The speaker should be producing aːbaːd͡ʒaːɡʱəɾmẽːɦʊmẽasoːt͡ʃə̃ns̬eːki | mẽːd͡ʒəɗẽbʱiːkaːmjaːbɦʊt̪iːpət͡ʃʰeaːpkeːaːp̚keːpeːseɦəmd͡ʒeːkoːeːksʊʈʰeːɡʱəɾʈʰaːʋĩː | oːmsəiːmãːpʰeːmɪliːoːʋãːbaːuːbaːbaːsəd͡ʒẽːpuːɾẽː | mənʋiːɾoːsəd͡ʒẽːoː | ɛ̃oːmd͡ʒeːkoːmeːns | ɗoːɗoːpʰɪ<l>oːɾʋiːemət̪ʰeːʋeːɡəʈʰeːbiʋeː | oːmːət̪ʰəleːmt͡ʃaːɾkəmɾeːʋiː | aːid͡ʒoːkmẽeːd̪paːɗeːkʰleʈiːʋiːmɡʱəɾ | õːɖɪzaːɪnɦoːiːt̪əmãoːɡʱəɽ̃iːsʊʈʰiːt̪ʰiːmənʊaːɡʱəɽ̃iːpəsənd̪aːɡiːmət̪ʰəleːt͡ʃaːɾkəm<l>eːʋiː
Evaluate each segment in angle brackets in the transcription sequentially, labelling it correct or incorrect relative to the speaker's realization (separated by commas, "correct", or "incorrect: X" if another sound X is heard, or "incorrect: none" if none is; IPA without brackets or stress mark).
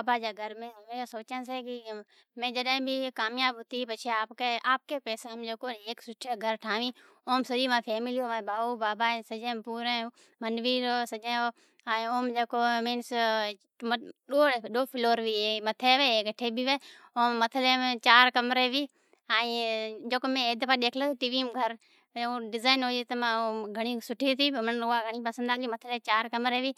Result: correct, incorrect: ɾ